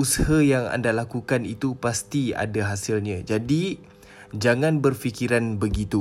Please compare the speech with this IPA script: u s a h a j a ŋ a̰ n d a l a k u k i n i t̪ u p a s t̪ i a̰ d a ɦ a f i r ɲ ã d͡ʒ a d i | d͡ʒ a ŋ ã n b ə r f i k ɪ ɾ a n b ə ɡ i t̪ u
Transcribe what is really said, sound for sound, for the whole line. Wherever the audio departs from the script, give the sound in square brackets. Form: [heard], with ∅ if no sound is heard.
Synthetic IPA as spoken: u s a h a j a ŋ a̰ n d a l a k u k [a] n i t̪ u p a s t̪ i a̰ d a ɦ a [s] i [l] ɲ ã d͡ʒ a d i | d͡ʒ a ŋ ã n b ə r f i k [i] ɾ a n b ə ɡ i t̪ u